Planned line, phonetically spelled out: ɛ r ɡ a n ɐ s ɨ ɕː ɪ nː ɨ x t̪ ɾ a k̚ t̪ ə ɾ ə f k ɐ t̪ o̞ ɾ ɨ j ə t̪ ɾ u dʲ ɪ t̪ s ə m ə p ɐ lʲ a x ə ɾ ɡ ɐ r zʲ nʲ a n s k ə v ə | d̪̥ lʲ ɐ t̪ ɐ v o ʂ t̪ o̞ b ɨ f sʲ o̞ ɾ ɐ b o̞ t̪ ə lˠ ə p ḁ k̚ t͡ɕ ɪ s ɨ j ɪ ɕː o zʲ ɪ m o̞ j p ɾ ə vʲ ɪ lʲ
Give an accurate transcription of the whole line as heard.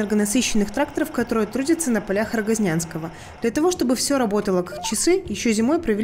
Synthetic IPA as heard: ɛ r ɡ ə n ɐ s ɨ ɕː ɪ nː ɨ x t̪ ɾ a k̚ t̪ ə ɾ ə f k ɐ t̪ o̞ ɾ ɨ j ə t̪ ɾ u dʲ ɪ t̪ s ə n ə p ɐ lʲ a x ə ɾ ɡ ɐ zʲ nʲ a n s k ə v ə | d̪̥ lʲ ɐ t̪ ɐ v o ʂ t̪ o̞ b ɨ f sʲ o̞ ɾ ɐ b o̞ t̪ ə lˠ ə k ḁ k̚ t͡ɕ ɪ s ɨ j ɪ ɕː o zʲ ɪ m o̞ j p ɾ ə vʲ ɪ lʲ